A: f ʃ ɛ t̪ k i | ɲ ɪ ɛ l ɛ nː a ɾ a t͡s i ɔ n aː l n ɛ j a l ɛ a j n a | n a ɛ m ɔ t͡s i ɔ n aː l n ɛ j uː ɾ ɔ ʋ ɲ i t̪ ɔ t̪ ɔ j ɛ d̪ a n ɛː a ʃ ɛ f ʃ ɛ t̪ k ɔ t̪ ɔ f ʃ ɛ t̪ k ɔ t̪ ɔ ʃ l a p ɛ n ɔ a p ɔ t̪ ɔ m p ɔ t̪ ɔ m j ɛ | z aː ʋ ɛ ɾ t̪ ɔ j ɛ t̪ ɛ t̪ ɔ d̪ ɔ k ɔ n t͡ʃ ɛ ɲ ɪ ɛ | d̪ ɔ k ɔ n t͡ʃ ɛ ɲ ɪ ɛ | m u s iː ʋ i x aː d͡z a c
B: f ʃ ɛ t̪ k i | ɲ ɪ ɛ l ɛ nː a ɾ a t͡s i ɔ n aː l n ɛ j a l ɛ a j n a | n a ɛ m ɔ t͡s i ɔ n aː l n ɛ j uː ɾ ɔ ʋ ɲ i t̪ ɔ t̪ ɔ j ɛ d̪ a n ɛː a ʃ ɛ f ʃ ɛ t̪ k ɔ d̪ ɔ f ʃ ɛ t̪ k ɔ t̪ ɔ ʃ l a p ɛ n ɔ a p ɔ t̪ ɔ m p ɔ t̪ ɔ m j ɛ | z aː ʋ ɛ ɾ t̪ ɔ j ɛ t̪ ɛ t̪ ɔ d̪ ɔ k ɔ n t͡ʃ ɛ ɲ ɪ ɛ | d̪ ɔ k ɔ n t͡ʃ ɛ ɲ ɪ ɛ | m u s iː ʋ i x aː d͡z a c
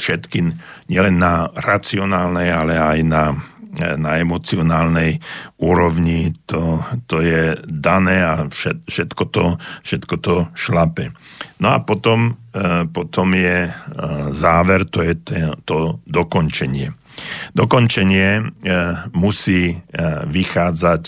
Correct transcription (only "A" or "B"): A